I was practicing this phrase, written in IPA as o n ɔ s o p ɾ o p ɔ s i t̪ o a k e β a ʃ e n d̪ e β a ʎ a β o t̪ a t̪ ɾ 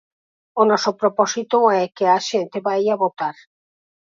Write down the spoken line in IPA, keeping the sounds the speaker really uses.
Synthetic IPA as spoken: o n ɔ s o p ɾ o p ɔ s i t̪ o ɛ k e a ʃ e n t̪ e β a j a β o t̪ a ɾ